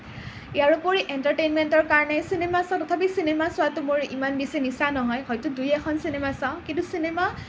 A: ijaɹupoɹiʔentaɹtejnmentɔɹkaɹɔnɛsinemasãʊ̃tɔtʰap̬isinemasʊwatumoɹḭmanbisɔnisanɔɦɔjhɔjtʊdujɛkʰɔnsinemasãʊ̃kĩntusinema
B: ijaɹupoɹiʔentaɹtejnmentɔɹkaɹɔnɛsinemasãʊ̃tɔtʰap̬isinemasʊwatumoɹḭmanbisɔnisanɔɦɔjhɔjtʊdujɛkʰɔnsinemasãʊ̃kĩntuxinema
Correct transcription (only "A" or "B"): A